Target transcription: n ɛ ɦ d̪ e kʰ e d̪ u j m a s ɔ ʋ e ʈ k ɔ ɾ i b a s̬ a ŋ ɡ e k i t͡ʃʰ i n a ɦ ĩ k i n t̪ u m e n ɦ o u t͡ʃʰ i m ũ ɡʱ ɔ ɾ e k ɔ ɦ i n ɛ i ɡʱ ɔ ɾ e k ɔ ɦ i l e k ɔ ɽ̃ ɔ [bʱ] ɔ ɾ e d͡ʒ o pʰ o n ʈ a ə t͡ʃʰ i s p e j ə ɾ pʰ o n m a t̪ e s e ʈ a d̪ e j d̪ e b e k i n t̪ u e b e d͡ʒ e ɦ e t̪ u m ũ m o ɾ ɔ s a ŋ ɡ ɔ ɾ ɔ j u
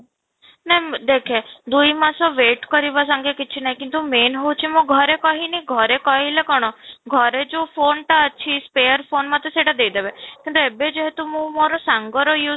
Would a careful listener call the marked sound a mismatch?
yes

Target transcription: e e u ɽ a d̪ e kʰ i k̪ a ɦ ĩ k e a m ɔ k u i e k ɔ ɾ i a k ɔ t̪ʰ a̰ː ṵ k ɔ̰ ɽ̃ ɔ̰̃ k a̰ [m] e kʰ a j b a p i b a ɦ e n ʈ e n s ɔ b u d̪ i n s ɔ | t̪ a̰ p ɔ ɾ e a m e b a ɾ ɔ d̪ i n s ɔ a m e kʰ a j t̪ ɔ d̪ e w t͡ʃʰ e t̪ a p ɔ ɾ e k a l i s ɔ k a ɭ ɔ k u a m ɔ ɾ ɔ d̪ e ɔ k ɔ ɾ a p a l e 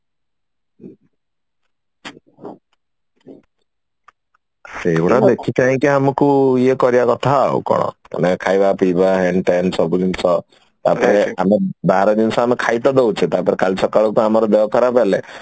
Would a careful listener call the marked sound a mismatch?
yes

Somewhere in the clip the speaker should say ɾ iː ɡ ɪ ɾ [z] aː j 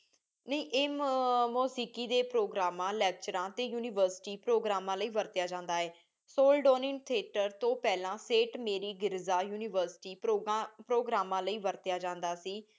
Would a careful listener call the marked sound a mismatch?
no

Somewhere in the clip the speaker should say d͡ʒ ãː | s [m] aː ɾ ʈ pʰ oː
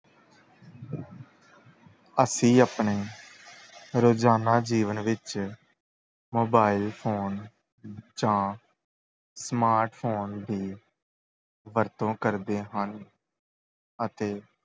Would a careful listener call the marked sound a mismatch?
no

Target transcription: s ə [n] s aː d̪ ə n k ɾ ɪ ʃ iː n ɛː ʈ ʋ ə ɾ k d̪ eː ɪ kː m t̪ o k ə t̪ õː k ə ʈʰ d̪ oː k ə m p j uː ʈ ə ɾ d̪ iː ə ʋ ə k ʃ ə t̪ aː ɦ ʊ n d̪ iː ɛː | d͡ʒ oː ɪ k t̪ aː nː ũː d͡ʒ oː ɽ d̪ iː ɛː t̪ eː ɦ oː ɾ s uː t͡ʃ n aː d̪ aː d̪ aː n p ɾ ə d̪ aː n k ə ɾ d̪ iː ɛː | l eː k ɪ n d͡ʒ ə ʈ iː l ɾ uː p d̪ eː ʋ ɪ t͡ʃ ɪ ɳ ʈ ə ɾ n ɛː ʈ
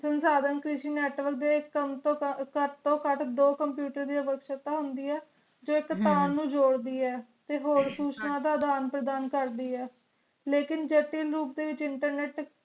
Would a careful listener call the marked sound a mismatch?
no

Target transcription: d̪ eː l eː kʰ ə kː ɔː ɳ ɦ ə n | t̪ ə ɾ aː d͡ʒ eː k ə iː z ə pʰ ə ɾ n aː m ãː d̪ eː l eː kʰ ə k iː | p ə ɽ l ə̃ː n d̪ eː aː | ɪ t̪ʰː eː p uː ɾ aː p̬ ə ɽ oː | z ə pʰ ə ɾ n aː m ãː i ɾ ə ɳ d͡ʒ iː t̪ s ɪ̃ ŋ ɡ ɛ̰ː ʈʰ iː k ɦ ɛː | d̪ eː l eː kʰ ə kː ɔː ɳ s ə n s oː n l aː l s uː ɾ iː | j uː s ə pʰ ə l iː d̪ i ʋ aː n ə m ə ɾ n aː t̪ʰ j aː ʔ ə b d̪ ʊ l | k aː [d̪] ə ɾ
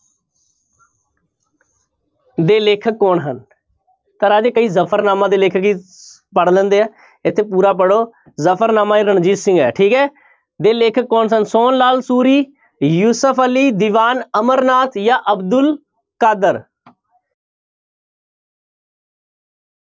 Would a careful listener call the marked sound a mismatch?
no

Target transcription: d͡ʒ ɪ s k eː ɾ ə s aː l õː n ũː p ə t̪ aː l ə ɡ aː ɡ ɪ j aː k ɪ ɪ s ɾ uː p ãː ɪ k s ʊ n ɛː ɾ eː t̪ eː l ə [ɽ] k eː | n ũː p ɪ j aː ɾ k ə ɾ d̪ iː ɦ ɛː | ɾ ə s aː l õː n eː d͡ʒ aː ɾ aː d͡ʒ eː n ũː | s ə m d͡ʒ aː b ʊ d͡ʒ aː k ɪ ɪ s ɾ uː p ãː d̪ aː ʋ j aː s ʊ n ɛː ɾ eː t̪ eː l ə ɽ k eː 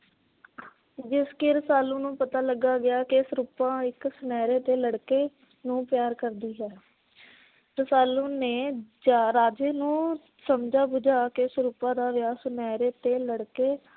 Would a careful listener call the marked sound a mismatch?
no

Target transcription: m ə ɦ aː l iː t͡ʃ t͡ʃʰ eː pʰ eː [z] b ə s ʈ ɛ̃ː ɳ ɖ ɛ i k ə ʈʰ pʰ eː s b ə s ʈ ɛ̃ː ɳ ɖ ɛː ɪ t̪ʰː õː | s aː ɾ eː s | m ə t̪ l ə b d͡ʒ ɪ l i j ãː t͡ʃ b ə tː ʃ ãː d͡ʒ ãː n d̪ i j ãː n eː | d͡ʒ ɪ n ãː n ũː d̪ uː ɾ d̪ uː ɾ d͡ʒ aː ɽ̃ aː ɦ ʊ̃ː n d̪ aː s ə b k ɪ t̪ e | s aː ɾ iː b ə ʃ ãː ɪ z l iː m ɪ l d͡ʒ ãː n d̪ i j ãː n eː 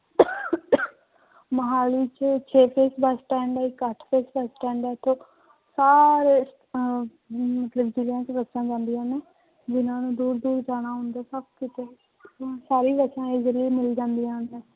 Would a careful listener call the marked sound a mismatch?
yes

